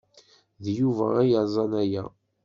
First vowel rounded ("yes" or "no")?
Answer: yes